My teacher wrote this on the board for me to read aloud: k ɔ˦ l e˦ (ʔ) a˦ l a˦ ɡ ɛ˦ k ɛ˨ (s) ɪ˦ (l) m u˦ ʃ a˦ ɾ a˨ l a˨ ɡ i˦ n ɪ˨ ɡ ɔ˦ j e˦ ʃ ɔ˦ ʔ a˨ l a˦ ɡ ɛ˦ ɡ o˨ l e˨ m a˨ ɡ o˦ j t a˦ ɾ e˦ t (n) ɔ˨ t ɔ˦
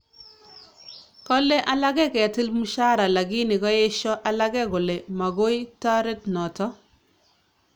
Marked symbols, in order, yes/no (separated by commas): yes, no, yes, yes